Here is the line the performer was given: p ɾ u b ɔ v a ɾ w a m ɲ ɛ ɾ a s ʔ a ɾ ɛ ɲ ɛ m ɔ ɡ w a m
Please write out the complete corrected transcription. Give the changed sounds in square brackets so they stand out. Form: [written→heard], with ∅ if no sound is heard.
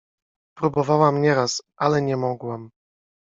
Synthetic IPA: p ɾ u b ɔ v a [ɾ→∅] w a m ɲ ɛ ɾ a s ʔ a [ɾ→l] ɛ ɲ ɛ m ɔ ɡ w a m

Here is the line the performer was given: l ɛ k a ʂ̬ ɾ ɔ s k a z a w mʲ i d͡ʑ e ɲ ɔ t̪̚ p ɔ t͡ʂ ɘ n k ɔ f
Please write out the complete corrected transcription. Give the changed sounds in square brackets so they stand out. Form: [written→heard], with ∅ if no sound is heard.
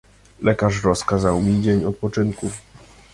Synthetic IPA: l ɛ k a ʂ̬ ɾ ɔ s k a z a w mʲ i d͡ʑ e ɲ ɔ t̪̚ p ɔ t͡ʂ ɘ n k [ɔ→u] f

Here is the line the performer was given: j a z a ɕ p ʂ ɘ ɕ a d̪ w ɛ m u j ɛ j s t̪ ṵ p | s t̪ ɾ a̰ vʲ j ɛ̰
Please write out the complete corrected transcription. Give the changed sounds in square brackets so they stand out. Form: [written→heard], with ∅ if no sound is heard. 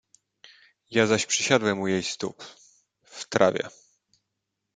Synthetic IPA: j a z a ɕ p ʂ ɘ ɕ a d̪ w ɛ m u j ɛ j s t̪ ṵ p | [s→f] t̪ ɾ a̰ vʲ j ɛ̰

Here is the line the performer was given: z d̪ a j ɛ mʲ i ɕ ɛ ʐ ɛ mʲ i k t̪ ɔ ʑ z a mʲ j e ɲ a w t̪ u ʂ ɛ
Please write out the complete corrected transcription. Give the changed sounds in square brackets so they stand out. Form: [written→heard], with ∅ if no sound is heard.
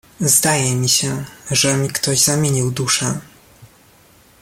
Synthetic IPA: z d̪ a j ɛ mʲ i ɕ ɛ ʐ ɛ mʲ i k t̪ ɔ ʑ z a mʲ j e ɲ [a→i] w [t̪→d̪] u ʂ ɛ

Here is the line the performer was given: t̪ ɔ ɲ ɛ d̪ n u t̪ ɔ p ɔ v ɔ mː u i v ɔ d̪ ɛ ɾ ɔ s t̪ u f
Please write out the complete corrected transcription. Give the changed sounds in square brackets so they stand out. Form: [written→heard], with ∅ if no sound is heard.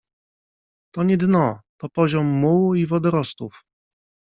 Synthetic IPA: t̪ ɔ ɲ ɛ d̪ n [u→ɔ] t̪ ɔ p ɔ [v→ʑ] ɔ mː u i v ɔ d̪ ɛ ɾ ɔ s t̪ u f

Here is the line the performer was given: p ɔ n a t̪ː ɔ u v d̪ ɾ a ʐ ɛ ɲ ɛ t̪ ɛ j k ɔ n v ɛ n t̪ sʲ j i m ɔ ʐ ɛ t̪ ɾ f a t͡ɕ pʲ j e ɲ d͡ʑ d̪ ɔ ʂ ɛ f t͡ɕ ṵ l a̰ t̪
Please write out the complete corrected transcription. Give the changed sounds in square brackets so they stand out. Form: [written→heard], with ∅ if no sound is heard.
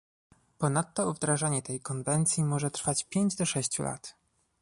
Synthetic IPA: p ɔ n a t̪ː ɔ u v d̪ ɾ a ʐ [ɛ→a] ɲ ɛ t̪ ɛ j k ɔ n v ɛ n t̪ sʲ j i m ɔ ʐ ɛ t̪ ɾ f a t͡ɕ pʲ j e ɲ d͡ʑ d̪ ɔ ʂ ɛ [f→ɕ] t͡ɕ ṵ l a̰ t̪

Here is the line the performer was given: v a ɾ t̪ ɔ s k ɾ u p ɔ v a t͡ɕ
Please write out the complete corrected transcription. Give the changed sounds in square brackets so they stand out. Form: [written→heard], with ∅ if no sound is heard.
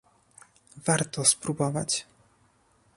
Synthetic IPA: v a ɾ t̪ ɔ s [k→p] ɾ u [p→b] ɔ v a t͡ɕ

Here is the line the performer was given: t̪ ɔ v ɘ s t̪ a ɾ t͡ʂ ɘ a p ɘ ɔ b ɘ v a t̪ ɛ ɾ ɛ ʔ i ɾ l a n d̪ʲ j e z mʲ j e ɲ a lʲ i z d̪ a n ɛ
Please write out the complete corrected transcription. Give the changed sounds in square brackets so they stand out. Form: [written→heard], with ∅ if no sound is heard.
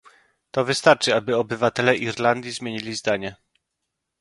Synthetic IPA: t̪ ɔ v ɘ s t̪ a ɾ t͡ʂ ɘ a [p→b] ɘ ɔ b ɘ v a t̪ ɛ [ɾ→l] ɛ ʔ i ɾ l a n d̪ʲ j [e→i] z mʲ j e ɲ [a→i] lʲ i z d̪ a [n→ɲ] ɛ

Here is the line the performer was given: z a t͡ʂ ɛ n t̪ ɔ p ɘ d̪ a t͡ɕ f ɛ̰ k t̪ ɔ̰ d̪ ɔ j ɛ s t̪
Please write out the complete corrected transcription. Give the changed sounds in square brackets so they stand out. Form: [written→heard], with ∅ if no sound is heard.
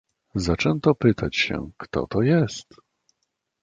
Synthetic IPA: z a t͡ʂ ɛ n t̪ ɔ p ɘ [d̪→t̪] a t͡ɕ [f→ɕ] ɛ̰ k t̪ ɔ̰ [d̪→t̪] ɔ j ɛ s t̪

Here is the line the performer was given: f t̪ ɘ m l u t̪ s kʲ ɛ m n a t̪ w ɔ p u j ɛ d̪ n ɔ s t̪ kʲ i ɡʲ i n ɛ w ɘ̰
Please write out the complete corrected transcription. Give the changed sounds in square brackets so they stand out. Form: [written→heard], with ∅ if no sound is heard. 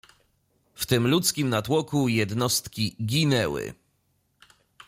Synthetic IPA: f t̪ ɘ m l u t̪ s kʲ [ɛ→i] m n a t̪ w ɔ [p→k] u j ɛ d̪ n ɔ s t̪ kʲ i ɡʲ i n ɛ w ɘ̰

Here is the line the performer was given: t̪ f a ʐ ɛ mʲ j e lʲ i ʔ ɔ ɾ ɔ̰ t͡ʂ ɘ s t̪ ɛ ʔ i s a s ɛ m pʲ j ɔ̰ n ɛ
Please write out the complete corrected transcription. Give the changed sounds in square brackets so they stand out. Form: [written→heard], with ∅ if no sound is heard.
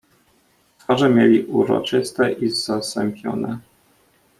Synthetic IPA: t̪ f a ʐ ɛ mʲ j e lʲ i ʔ [ɔ→u] ɾ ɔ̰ t͡ʂ ɘ s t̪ ɛ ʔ i [s→z] a s ɛ m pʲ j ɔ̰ n ɛ

